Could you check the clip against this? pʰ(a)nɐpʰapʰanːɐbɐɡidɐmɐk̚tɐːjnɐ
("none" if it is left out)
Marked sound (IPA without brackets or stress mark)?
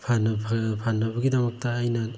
a